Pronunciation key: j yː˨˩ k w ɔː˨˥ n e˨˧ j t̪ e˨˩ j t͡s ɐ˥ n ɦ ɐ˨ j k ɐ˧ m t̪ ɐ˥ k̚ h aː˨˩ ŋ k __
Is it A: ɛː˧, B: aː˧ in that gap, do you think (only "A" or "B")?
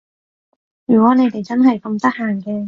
A